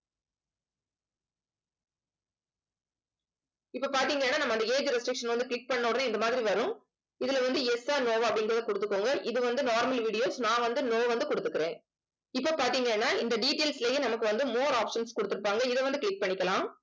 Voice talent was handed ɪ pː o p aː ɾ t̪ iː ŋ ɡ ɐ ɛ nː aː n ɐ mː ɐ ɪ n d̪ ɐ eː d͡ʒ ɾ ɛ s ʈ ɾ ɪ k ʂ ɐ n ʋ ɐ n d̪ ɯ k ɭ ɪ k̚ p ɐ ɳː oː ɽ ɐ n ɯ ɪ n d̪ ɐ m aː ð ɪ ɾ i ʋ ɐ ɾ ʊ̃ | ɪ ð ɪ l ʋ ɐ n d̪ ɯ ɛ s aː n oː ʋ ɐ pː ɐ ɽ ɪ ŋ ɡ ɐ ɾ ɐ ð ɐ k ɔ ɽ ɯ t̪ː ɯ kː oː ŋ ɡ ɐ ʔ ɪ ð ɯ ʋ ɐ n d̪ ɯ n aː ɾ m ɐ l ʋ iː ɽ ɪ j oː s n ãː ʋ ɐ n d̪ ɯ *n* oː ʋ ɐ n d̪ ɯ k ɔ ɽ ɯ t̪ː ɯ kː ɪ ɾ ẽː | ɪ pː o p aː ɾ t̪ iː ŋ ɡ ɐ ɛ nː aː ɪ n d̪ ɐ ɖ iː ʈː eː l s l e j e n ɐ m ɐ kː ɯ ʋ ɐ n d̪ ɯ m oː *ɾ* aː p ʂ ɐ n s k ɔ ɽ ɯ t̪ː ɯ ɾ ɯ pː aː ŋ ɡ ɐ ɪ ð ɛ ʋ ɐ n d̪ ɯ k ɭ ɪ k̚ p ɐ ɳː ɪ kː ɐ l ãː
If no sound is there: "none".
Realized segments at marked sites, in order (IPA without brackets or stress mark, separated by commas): n, ɾ